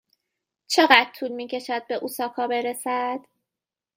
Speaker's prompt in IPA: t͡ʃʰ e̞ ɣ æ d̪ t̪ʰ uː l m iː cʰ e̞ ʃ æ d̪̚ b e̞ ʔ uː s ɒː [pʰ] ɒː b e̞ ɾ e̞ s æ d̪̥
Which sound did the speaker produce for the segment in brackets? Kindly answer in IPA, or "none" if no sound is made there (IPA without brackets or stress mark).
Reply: kʰ